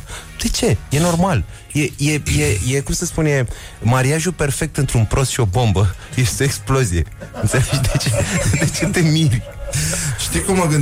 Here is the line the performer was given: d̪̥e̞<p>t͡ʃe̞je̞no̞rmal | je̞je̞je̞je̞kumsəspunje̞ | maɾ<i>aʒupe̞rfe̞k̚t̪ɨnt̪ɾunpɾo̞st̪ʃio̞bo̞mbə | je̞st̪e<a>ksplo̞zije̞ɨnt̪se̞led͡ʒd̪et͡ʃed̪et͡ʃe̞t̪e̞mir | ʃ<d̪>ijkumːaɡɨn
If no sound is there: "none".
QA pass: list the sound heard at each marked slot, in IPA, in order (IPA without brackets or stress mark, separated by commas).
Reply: none, i, e, t̪